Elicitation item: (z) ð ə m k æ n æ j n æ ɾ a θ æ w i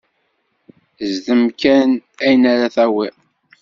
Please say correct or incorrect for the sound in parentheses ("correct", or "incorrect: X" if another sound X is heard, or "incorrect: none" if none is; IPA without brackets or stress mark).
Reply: correct